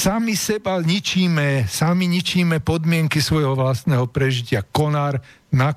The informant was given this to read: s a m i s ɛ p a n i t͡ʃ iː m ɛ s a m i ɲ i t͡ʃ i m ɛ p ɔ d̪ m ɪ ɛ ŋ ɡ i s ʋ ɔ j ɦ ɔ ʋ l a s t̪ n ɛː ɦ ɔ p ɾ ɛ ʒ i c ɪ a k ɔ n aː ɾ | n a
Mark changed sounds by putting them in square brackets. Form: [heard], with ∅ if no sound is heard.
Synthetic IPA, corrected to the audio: s a m i s ɛ [b] a [ɲ] i t͡ʃ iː m ɛ s a m i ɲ i t͡ʃ [iː] m ɛ p ɔ d̪ m ɪ ɛ ŋ [k] i s ʋ ɔ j ɦ ɔ ʋ l a s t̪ n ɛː ɦ ɔ p ɾ ɛ ʒ i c ɪ a k ɔ n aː ɾ | n a